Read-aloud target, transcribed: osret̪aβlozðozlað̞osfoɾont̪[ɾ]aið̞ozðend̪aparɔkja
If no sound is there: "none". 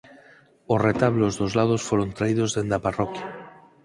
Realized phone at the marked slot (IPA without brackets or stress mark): ɾ